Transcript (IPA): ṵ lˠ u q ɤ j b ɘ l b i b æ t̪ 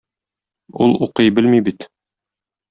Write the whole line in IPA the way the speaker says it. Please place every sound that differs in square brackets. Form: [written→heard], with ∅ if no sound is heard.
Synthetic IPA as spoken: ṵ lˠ u q ɤ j b ɘ l [b→m] i b [æ→i] t̪